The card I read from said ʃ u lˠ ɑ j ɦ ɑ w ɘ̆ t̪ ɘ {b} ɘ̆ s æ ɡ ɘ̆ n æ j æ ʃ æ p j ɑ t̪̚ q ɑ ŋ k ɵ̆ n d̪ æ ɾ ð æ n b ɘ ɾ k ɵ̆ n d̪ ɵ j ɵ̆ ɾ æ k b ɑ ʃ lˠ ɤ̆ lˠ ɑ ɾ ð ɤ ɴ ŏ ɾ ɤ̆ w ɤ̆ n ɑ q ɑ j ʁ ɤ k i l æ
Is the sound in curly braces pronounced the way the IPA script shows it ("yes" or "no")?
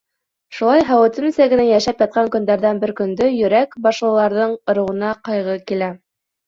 no